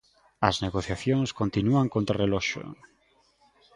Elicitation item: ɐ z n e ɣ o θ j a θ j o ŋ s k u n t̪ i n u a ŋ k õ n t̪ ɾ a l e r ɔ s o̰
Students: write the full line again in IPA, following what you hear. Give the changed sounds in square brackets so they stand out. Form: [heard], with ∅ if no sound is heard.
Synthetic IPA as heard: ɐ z n e ɣ o θ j a θ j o ŋ s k [o] n t̪ i n u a ŋ k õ n t̪ ɾ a [r] e [l] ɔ [ʃ] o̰